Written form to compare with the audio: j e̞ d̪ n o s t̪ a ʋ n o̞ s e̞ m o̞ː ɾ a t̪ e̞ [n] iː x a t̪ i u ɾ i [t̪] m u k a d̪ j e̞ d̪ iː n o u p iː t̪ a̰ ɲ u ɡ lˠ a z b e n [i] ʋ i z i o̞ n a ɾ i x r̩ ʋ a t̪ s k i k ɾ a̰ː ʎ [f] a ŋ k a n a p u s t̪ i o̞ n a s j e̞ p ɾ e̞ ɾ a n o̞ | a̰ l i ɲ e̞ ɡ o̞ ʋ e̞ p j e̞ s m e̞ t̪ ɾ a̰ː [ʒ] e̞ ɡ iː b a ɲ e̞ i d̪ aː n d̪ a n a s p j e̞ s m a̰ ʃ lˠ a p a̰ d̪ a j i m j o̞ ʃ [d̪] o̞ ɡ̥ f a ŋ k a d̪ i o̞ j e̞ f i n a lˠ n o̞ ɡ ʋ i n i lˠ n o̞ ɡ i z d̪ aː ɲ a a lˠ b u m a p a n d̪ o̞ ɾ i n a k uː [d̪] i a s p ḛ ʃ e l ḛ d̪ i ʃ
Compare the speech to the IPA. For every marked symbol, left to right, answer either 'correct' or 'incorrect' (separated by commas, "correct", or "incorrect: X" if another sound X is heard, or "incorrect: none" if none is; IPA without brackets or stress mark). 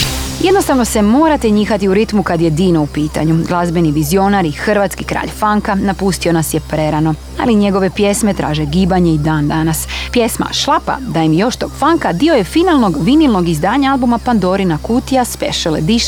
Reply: incorrect: ɲ, correct, correct, correct, correct, incorrect: t̪, incorrect: t̪